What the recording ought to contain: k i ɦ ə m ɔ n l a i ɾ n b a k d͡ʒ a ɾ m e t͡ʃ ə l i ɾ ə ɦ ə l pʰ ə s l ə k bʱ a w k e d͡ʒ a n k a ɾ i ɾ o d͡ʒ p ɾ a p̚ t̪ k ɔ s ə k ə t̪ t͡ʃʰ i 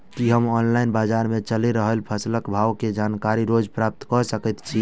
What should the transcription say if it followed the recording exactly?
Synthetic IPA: k i ɦ ə m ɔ n l a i n b a d͡ʒ a ɾ m e t͡ʃ ə l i ɾ ə ɦ ə l pʰ ə s l ə k bʱ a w k e d͡ʒ a n k a ɾ i ɾ o d͡ʒ p ɾ a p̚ t̪ k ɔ s ə k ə t̪ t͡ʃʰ i